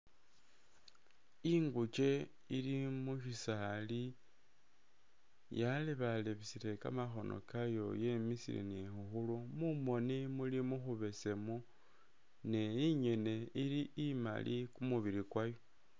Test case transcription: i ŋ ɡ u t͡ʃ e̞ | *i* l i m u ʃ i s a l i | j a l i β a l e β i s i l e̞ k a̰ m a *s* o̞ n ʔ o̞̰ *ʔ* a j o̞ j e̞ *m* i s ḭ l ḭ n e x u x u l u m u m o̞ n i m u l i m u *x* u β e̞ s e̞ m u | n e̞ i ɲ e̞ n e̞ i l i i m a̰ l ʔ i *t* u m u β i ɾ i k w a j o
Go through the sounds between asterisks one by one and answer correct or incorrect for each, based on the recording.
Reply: correct, incorrect: x, incorrect: k, correct, correct, incorrect: k

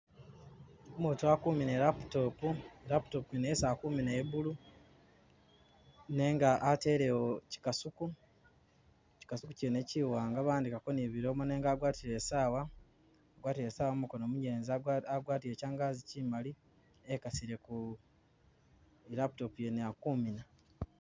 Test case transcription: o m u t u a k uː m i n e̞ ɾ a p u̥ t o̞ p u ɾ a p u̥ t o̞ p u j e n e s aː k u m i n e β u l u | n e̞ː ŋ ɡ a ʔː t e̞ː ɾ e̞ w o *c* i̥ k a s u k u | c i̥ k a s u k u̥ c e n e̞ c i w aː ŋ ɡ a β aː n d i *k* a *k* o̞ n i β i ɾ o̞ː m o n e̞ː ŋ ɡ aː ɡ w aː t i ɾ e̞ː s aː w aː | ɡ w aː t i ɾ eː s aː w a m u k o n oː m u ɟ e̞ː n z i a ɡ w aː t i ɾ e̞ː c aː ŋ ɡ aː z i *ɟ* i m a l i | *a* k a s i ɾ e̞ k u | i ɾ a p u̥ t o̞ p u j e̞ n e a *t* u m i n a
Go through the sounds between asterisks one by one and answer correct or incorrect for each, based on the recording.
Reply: correct, correct, correct, incorrect: c, incorrect: e, incorrect: k

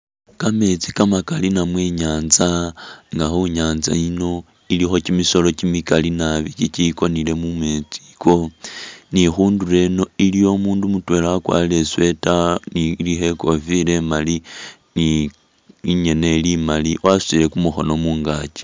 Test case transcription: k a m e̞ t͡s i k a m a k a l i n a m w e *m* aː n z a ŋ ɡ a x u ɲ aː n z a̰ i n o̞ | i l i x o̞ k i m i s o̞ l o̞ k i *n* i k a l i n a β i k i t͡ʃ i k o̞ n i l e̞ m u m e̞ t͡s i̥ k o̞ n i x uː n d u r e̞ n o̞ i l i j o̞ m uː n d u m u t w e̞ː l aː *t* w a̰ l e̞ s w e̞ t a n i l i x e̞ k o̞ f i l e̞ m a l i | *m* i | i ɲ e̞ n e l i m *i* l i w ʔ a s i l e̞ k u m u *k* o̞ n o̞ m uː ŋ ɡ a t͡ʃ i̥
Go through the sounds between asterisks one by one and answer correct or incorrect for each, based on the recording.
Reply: incorrect: ɲ, incorrect: m, incorrect: k, incorrect: n, incorrect: a, incorrect: x

